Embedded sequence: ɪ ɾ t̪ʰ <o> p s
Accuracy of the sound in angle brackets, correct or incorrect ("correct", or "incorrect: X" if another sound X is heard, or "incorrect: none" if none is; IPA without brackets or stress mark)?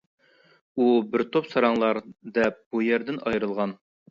correct